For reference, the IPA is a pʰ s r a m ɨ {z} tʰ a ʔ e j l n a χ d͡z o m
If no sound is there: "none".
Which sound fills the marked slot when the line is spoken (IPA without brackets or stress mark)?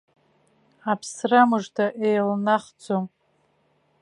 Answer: ʐ